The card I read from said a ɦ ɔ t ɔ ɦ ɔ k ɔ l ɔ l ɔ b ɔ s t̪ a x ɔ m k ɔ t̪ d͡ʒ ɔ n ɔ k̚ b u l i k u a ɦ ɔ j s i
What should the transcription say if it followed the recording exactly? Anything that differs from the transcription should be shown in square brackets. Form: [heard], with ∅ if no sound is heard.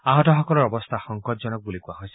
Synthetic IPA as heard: a ɦ ɔ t ɔ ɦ ɔ k ɔ l ɔ [ɾ] ɔ b ɔ s [t̪ʰ] a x ɔ [ŋ] k ɔ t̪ d͡ʒ ɔ n ɔ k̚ b u l i k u a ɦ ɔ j s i